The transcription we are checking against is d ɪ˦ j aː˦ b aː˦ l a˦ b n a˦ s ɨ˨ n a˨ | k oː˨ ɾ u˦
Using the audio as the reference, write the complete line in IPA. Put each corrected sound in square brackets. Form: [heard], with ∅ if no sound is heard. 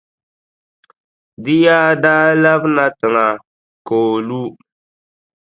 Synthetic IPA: d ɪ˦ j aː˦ [d] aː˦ l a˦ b n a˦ [t] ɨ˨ [ŋ] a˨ | k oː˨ [l] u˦